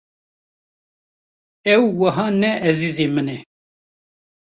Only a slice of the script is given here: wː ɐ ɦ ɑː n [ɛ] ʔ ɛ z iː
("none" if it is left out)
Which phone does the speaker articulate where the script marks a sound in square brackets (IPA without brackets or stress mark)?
ɛ